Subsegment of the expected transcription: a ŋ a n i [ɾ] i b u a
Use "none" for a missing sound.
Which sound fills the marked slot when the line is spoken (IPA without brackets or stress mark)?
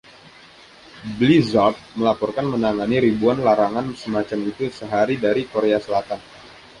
ɾ